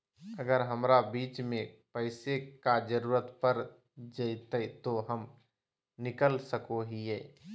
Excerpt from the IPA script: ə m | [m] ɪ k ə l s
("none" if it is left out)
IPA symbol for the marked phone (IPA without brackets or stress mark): n